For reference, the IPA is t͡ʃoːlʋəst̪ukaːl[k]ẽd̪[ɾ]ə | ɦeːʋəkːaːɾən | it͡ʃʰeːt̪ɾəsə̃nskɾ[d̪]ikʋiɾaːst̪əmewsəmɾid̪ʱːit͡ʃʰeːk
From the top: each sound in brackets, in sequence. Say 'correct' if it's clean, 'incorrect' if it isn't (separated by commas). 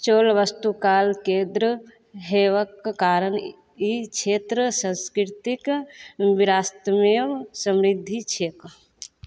correct, correct, incorrect